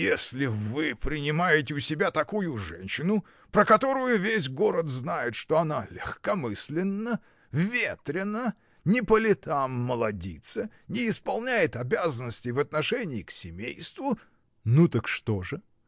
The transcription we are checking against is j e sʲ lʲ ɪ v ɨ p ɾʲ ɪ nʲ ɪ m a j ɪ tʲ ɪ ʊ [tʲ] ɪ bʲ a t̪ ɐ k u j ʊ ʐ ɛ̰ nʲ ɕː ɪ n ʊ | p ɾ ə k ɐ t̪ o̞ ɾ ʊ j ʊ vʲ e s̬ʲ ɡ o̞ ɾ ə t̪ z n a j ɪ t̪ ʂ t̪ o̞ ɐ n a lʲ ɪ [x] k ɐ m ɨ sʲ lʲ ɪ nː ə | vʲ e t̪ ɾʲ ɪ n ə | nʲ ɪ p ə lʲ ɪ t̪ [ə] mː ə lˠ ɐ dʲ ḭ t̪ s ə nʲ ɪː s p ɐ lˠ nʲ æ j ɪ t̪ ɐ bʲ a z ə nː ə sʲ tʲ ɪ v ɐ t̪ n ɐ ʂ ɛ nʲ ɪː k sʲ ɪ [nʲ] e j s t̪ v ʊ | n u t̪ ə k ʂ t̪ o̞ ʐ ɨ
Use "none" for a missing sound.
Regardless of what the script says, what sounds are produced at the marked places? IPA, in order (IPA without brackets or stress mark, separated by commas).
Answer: sʲ, x, a, mʲ